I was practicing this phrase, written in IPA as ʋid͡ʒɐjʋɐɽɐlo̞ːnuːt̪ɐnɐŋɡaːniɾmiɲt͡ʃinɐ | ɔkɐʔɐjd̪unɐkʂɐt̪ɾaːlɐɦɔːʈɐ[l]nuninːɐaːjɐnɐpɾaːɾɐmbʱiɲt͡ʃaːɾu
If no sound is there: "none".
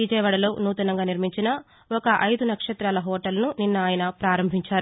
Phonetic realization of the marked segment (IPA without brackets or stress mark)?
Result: l